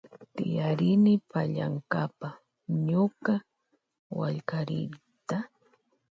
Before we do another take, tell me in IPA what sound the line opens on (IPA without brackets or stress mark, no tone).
t̪